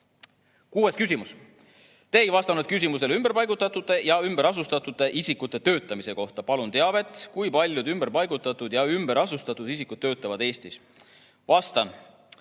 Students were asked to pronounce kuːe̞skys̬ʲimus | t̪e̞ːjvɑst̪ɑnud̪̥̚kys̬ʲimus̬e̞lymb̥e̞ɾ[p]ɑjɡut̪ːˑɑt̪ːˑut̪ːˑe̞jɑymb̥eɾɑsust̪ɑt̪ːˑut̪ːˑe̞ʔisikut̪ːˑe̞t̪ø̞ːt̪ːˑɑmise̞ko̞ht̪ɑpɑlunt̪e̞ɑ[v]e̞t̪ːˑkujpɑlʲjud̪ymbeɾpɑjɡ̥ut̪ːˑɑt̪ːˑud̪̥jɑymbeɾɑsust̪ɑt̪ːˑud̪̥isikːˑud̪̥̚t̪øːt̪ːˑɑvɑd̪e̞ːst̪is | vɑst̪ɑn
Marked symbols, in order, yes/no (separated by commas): yes, yes